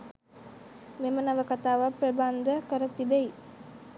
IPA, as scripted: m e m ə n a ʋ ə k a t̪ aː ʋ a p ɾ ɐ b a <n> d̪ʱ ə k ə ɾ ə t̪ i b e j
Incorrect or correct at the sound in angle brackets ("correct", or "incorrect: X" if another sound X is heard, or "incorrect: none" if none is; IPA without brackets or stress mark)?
correct